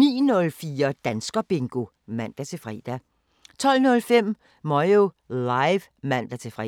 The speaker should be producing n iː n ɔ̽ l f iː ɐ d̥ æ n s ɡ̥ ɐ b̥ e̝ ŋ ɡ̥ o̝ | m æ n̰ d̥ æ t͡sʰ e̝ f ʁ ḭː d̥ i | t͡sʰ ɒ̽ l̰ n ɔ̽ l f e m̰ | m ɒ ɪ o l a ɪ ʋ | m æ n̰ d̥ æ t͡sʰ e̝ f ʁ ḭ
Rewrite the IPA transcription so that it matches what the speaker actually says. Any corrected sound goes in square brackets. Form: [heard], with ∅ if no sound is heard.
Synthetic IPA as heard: n iː n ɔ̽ l f iː ɐ d̥ æ n s ɡ̥ ɐ b̥ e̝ ŋ ɡ̥ o̝ | m æ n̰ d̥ æ t͡sʰ e̝ f ʁ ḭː d̥ [æ] | t͡sʰ ɒ̽ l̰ n ɔ̽ l f e m̰ | m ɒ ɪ o l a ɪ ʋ | m æ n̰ d̥ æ t͡sʰ e̝ f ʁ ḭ